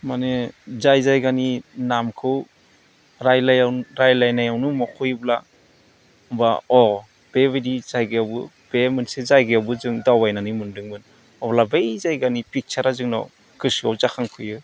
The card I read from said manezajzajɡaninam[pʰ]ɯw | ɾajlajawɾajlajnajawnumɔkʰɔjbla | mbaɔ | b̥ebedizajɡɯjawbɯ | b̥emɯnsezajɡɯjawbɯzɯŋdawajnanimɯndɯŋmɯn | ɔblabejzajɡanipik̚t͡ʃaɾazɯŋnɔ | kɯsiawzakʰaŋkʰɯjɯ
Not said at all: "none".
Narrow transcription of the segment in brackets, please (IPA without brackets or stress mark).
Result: kʰ